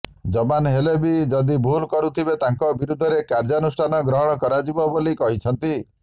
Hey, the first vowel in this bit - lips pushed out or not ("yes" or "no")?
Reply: yes